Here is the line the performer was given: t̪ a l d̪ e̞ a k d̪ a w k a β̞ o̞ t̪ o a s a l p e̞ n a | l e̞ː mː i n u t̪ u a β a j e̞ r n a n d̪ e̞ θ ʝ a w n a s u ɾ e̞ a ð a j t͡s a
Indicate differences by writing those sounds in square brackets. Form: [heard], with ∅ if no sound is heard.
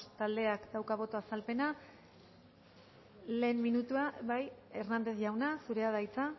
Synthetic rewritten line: t̪ a l d̪ e̞ a k d̪ a w k a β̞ o̞ t̪ o a s a l p e̞ n a | l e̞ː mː i n u t̪ u a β a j e̞ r n a n d̪ e̞ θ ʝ a w n a s u ɾ e̞ a ð a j t͡s a